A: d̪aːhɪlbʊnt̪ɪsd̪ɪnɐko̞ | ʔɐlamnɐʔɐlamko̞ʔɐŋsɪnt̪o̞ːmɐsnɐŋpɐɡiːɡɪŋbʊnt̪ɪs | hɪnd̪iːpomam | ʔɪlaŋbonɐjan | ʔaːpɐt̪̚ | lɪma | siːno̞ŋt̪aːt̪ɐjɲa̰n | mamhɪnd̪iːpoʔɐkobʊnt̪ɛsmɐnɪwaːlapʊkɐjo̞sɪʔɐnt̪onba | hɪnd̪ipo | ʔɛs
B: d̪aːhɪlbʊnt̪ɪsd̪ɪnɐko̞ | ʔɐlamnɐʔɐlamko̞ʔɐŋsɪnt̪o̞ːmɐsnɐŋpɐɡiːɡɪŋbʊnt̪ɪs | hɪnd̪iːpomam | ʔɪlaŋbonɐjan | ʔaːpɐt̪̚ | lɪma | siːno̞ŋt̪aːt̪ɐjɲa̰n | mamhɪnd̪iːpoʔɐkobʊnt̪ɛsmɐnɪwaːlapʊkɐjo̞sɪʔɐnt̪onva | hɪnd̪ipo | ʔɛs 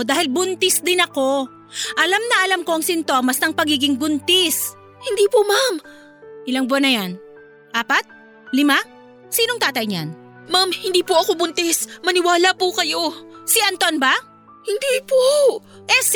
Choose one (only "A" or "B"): A